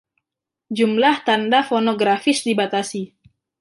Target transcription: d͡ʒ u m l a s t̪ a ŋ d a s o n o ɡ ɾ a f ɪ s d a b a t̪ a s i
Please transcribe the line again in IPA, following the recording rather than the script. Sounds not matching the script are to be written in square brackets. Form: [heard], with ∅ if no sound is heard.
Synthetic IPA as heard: d͡ʒ u m l a [h] t̪ a [n] d a [f] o n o ɡ ɾ a f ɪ s d [i] b a t̪ a s i